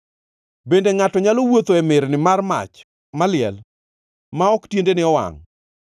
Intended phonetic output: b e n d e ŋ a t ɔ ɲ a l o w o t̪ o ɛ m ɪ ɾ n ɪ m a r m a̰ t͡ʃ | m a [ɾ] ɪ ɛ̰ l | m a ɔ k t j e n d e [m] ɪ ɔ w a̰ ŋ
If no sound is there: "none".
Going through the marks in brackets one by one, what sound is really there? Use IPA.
l, n

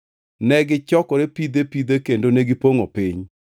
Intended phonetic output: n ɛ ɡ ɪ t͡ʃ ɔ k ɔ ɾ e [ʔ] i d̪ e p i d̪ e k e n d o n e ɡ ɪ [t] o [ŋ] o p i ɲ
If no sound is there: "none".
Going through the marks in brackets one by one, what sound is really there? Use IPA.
p, p, ŋ

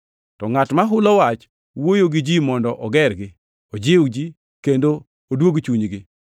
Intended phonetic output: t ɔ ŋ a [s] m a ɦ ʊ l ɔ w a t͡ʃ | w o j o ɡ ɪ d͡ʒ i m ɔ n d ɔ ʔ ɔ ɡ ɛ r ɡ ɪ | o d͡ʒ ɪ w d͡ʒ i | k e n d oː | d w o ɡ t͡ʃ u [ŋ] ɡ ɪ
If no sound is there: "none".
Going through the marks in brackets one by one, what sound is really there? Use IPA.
t, ɲ

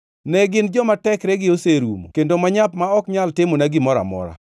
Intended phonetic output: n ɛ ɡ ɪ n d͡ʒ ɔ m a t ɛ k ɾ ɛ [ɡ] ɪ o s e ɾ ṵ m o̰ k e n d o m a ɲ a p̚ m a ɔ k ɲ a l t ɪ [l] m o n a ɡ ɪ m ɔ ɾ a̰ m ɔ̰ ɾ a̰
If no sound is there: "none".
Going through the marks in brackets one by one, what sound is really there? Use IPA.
ɡ, none

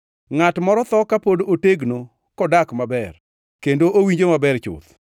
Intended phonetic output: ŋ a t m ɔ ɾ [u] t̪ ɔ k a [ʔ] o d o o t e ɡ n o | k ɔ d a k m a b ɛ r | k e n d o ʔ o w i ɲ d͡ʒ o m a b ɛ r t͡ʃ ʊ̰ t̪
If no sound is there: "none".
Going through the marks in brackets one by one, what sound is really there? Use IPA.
ɔ, p

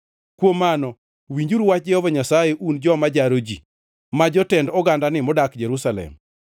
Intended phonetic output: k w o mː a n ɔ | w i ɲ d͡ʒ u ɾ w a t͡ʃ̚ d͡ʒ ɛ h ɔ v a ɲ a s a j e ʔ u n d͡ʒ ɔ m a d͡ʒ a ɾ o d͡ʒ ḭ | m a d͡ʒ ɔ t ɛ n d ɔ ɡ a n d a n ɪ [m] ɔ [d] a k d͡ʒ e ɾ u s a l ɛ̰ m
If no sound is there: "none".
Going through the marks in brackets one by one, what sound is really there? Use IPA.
m, d

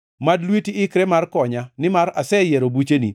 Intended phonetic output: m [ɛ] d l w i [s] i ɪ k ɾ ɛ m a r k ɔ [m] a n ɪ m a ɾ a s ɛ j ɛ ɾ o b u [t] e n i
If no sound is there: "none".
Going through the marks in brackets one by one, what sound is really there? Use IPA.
a, t, ɲ, t͡ʃ

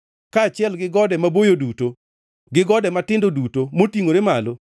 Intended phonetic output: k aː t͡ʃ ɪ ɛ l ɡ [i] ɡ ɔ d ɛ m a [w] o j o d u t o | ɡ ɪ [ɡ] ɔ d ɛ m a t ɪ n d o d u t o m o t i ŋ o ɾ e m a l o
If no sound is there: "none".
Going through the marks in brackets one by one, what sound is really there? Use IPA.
ɪ, b, ɡ

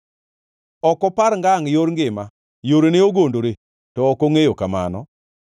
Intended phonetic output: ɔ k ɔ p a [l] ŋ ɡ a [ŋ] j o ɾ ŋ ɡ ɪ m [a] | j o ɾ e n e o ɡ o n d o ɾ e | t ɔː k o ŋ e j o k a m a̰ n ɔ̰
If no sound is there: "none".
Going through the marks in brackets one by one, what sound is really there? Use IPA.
ɾ, ŋ, a

